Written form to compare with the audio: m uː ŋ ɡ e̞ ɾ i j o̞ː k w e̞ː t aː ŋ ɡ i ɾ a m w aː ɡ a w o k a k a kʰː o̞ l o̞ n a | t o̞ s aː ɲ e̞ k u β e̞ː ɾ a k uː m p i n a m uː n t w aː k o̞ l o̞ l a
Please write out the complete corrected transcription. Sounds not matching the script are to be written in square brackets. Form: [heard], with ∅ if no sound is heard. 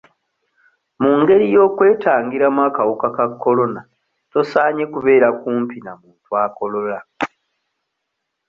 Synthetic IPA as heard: m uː ŋ ɡ e̞ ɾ i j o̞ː k w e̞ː t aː ŋ ɡ i ɾ a m w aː [k] a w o k a k a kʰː o̞ l o̞ n a | t o̞ s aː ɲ e̞ k u β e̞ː ɾ a k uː m p i n a m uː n t w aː k o̞ l o̞ l a

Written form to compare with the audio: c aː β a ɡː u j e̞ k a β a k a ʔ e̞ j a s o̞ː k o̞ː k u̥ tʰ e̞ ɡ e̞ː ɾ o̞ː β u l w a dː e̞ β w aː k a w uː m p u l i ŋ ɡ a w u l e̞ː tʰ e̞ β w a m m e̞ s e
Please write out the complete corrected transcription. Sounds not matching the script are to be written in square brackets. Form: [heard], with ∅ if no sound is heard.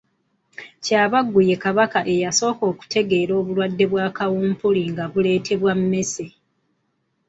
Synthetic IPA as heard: c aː β a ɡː u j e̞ k a β a k a ʔ e̞ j a s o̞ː k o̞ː k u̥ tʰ e̞ ɡ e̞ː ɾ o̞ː β u l w a dː e̞ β w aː k a w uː m p u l i ŋ ɡ a [β] u l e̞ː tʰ e̞ β w a m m e̞ s e

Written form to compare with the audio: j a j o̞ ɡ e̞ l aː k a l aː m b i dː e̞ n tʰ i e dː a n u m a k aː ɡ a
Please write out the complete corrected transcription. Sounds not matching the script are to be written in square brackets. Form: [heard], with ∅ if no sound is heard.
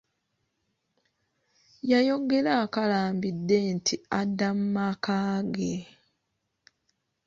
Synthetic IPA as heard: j a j o̞ ɡ e̞ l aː k a l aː m b i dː e̞ n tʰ i [a] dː a [m] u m a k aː ɡ [e]

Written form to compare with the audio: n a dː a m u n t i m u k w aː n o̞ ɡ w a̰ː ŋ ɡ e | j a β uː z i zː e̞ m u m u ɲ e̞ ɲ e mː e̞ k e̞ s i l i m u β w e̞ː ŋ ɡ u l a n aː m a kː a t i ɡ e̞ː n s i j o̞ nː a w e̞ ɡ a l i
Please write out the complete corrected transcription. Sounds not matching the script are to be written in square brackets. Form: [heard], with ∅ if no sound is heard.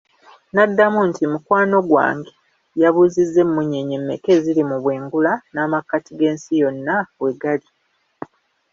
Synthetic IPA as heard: n a dː a m u n t i m u k w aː n o̞ ɡ w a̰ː ŋ ɡ e | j a β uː z i zː e̞ m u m u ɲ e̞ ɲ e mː e̞ k e̞ [z] i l i m u β w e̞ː ŋ ɡ u l a n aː m a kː a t i ɡ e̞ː n s i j o̞ nː a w e̞ ɡ a l i

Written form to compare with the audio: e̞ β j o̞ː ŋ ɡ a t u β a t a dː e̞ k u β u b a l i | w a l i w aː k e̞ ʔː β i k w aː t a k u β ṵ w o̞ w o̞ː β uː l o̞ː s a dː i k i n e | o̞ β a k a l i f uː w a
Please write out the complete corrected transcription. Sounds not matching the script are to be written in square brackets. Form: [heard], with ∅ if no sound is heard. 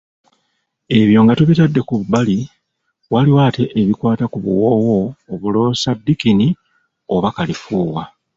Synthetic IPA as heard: e̞ β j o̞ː ŋ ɡ a t u β [i] t a dː e̞ k u β u b a l i | w a l i w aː [t] e̞ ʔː β i k w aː t a k u β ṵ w o̞ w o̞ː β [u] l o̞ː s a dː i k i n [i] | o̞ β a k a l i f uː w a

